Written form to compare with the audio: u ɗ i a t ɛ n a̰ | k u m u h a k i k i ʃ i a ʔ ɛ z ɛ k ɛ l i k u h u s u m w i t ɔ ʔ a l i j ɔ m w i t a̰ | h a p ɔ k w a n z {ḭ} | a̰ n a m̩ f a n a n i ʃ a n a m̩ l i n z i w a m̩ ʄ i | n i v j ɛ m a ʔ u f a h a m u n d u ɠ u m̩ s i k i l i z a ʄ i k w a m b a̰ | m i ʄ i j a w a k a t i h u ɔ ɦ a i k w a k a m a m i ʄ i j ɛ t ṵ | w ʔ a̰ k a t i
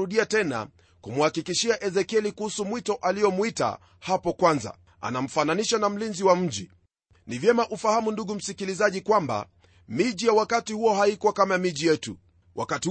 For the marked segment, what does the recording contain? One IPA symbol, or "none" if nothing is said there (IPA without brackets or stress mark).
a̰